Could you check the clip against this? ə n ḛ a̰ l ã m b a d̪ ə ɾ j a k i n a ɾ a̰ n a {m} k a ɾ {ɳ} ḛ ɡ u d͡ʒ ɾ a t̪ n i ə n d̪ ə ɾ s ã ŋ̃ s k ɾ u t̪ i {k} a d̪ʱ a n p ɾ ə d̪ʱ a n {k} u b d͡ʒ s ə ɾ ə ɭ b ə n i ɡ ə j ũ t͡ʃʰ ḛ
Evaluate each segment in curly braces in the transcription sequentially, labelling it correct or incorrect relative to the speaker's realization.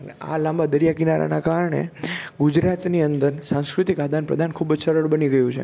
incorrect, correct, correct, incorrect

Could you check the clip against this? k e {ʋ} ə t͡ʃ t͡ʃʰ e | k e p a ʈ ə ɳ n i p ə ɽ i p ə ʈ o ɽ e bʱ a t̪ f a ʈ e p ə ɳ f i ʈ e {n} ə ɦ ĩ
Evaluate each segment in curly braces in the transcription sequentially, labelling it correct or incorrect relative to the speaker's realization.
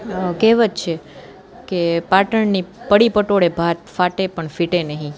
correct, correct

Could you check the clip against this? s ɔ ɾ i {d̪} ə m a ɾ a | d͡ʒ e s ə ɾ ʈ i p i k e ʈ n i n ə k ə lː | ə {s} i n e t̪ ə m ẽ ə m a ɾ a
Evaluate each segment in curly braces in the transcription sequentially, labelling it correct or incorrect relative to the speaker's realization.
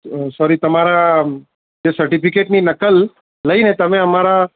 incorrect, incorrect

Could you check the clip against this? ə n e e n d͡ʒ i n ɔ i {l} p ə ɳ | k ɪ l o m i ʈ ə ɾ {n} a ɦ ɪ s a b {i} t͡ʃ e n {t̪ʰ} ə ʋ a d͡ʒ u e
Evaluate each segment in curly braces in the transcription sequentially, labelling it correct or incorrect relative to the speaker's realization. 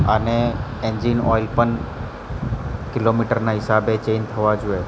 correct, correct, incorrect, correct

